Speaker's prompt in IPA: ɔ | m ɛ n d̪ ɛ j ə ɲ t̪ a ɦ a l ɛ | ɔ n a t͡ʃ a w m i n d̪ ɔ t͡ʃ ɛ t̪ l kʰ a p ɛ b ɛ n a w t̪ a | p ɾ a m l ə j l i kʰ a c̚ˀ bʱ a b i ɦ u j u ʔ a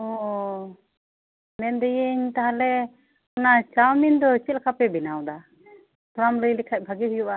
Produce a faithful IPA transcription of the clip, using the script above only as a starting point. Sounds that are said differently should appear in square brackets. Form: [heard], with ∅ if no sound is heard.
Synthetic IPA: ɔ | m ɛ n d̪ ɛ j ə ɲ t̪ a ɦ a l ɛ | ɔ n a t͡ʃ a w m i n d̪ ɔ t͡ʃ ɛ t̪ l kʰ a p ɛ b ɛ n a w [d̪] a | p ɾ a m l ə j l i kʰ a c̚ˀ bʱ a [ɡ] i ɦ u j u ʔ a